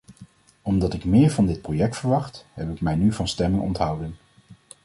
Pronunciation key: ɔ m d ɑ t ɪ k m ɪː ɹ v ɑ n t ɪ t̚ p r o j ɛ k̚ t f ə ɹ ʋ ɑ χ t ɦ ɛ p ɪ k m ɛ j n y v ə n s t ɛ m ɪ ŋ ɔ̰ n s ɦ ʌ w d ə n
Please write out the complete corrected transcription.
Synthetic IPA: ɔ m d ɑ t ɪ k m ɪː ɹ v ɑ n d ɪ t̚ p r o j ɛ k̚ t f ə ɹ ʋ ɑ χ t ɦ ɛ p ɪ k m ɛ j n y v ɑ n s t ɛ m ɪ ŋ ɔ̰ n t ɦ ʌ w d ə n